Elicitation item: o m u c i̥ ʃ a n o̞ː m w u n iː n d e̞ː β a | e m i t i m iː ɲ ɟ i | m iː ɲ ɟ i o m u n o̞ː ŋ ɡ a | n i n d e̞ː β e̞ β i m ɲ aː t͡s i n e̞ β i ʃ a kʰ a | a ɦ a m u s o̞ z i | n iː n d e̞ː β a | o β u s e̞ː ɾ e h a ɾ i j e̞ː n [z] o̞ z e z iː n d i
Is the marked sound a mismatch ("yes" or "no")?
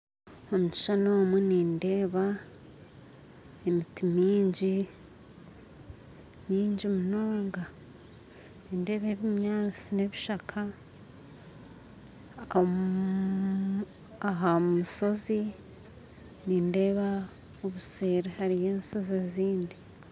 yes